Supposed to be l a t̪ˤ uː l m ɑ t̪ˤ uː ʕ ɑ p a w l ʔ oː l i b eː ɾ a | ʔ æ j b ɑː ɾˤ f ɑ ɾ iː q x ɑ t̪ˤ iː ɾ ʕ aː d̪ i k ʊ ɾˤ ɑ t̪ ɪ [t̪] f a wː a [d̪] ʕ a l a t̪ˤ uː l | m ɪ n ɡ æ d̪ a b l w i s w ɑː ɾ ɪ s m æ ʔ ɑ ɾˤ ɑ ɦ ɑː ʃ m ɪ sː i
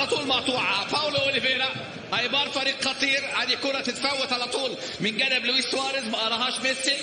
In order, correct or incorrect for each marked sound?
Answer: correct, incorrect

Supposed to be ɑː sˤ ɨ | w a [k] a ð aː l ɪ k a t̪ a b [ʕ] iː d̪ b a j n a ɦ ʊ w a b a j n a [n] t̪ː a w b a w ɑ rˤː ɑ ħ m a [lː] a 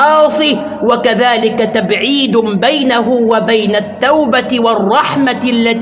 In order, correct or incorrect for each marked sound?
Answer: correct, correct, incorrect, correct

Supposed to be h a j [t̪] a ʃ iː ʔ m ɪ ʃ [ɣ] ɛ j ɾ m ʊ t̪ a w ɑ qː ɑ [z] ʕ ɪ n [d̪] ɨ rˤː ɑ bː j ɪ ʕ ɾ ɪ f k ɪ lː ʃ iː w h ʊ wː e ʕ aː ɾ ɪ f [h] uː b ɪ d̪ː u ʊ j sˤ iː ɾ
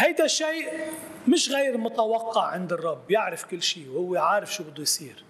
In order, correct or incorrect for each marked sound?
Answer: incorrect, correct, incorrect, correct, incorrect

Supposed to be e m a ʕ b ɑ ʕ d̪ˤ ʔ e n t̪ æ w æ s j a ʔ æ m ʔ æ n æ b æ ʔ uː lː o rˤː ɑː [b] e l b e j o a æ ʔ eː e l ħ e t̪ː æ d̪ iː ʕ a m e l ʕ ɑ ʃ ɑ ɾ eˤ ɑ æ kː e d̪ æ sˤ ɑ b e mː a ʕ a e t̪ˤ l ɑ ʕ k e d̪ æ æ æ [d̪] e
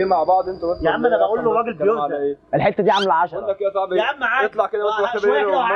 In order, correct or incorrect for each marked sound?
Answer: incorrect, incorrect

